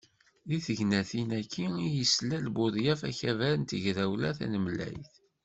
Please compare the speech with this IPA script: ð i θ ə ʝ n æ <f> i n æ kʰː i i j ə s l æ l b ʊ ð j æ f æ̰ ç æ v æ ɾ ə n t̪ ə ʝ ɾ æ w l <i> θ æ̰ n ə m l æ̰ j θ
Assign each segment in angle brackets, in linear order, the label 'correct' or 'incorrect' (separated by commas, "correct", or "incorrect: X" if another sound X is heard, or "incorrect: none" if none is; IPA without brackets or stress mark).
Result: incorrect: θ, incorrect: æ